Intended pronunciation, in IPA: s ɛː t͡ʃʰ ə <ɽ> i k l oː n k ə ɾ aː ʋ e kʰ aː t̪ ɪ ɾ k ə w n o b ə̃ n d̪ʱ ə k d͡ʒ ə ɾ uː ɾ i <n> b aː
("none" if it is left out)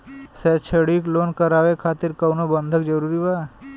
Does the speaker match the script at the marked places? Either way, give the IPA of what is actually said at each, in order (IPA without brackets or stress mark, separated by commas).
ɽ, none